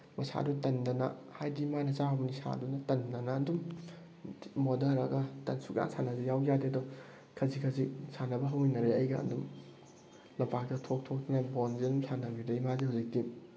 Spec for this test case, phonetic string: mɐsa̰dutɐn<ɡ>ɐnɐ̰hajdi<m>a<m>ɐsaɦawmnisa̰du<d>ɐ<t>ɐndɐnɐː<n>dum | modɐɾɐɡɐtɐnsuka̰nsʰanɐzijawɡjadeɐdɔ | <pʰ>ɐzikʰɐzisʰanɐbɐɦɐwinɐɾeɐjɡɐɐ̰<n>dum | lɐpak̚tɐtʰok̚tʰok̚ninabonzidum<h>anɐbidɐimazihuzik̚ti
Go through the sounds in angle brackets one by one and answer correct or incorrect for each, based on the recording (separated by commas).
incorrect, correct, incorrect, incorrect, correct, correct, incorrect, correct, incorrect